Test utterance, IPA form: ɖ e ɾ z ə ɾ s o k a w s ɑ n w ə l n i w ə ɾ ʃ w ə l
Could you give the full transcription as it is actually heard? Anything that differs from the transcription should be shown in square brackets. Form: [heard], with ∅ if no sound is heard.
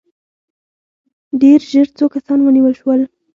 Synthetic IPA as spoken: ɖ e ɾ [ʒ] ə ɾ [t͡s] o k a [∅] s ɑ n w ə [∅] n i w ə [l] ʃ w ə l